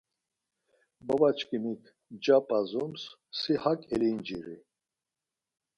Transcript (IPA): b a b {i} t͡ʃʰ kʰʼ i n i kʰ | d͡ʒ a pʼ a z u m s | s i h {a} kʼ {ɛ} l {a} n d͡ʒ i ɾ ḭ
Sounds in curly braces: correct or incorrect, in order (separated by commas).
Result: incorrect, correct, correct, incorrect